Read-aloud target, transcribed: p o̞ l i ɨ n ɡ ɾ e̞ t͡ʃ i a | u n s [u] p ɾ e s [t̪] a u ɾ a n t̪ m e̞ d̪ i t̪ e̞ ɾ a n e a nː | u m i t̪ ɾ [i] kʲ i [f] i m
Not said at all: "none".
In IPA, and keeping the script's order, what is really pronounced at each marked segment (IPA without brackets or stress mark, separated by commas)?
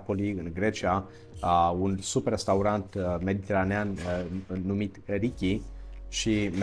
u, t̪, i, ʃ